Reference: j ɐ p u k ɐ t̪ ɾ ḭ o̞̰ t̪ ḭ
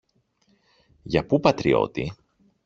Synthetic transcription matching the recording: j ɐ p u p ɐ t̪ ɾ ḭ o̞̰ t̪ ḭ